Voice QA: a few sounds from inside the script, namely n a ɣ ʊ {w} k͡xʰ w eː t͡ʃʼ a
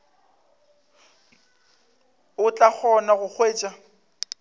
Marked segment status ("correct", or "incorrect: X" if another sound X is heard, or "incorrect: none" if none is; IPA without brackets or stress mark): incorrect: none